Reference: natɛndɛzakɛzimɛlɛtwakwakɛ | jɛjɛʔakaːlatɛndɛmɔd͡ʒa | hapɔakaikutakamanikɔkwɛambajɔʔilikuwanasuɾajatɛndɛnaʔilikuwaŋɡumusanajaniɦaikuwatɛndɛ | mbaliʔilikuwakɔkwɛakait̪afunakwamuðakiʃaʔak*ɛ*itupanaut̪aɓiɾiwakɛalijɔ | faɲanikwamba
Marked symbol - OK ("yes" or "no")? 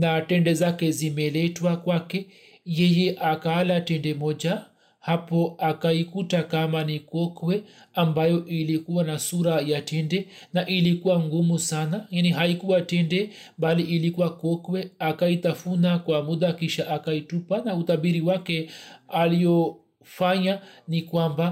no